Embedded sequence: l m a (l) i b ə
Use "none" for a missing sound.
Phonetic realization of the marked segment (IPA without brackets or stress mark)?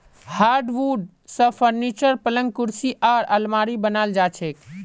ɾ